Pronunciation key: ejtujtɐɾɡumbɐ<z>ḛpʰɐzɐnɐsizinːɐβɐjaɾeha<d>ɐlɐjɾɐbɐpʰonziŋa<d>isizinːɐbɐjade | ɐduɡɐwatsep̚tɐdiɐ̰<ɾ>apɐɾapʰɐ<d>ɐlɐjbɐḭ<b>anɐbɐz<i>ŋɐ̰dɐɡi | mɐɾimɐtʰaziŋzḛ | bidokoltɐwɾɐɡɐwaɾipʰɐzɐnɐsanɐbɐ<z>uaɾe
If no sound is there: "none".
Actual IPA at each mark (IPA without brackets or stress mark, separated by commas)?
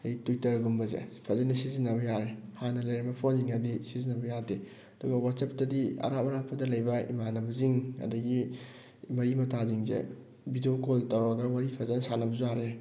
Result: z, n, d, ɾ, d, m, i, z